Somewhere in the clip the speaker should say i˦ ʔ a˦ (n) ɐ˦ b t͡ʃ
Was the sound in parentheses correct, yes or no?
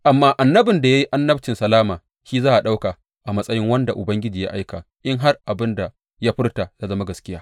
no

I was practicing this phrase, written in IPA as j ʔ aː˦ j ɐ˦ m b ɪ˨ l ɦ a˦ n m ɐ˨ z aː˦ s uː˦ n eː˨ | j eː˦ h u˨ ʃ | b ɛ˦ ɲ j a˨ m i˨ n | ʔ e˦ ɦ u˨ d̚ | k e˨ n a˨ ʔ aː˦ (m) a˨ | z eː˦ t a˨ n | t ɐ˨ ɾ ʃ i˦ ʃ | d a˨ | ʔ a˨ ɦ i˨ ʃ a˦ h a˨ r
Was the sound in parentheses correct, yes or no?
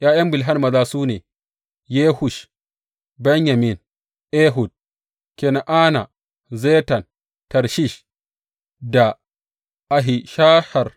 no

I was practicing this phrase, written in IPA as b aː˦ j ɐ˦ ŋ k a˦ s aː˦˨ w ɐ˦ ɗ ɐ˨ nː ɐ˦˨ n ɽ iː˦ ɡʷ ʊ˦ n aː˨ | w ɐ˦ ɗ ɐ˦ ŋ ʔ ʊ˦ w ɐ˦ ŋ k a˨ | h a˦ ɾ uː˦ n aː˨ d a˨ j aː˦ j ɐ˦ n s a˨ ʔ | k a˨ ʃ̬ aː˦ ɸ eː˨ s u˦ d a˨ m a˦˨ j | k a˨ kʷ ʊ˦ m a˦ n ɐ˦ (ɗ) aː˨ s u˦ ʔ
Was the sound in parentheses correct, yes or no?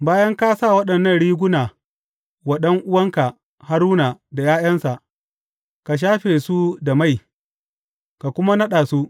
yes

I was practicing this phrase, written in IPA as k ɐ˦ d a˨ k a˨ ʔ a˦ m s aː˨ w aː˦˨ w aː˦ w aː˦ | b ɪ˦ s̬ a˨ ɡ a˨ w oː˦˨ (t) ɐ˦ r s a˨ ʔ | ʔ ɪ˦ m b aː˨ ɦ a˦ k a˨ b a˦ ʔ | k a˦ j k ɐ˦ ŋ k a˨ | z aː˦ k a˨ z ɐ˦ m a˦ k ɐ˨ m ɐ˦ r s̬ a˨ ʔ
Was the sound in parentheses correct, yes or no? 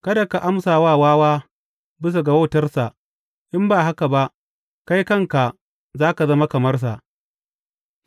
yes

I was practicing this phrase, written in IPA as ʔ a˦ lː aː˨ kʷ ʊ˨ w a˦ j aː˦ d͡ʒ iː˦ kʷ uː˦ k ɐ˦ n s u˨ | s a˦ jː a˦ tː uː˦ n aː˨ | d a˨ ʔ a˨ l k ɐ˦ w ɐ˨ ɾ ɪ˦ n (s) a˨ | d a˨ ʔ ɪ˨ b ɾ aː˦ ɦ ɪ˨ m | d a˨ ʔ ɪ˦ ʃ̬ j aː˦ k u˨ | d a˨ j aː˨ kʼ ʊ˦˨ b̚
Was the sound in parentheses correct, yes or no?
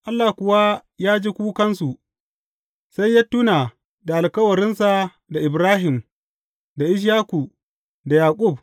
yes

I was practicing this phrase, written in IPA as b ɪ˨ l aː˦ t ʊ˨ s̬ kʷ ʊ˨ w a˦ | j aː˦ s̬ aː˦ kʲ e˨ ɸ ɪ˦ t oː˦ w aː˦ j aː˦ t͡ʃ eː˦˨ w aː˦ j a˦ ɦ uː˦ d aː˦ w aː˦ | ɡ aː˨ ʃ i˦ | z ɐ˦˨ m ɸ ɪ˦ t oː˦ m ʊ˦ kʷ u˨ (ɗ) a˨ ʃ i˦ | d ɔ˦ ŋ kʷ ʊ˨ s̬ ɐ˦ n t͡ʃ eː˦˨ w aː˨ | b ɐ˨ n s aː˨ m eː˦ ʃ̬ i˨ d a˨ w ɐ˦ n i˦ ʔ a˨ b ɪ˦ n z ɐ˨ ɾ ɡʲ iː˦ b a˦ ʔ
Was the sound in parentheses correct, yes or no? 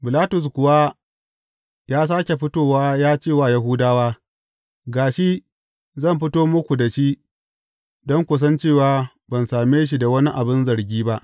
no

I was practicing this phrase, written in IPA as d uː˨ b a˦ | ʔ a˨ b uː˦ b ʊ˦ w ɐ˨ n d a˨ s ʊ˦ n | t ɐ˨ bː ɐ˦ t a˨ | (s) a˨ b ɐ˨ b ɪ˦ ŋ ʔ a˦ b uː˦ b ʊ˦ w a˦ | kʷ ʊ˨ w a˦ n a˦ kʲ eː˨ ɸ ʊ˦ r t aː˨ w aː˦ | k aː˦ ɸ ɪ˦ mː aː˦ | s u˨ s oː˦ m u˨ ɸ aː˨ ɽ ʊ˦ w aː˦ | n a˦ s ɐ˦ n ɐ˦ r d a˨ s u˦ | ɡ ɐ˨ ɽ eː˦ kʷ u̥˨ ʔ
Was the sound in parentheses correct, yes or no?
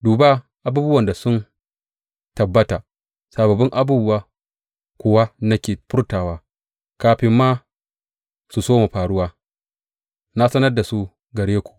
yes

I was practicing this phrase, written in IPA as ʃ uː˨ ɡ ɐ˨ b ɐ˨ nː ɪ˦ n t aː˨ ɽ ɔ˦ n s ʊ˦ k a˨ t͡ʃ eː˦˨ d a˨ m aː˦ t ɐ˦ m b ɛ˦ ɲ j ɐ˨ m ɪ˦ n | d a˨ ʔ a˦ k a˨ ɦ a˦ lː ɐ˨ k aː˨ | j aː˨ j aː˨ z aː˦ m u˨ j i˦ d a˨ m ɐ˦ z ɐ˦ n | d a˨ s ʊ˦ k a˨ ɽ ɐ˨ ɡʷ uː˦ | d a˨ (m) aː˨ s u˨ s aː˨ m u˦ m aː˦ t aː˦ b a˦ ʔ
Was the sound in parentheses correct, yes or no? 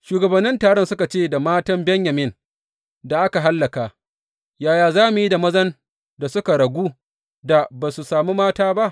no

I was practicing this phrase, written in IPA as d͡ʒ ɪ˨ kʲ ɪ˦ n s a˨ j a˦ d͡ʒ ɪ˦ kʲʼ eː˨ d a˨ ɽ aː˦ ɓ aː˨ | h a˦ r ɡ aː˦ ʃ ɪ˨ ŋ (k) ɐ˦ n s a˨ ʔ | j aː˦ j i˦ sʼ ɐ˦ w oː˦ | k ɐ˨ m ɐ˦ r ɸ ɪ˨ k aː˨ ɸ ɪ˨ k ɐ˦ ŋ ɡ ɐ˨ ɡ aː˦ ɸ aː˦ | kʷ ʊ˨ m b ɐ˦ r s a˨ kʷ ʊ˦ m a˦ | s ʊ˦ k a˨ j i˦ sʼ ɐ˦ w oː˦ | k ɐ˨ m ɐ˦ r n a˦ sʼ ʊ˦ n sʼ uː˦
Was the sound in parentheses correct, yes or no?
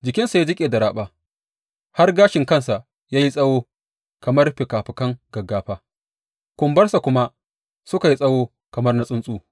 yes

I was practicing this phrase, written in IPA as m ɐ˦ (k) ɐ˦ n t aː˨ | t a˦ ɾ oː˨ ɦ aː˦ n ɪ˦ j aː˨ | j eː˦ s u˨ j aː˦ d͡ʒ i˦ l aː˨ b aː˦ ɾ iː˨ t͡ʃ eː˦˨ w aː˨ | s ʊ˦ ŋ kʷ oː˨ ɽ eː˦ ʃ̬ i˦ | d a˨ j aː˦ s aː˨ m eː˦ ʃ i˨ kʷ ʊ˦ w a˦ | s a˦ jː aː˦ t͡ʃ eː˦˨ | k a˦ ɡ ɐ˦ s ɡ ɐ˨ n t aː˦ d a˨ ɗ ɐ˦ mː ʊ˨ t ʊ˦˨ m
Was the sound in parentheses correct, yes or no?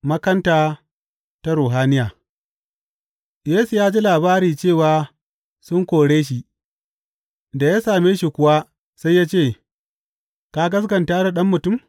yes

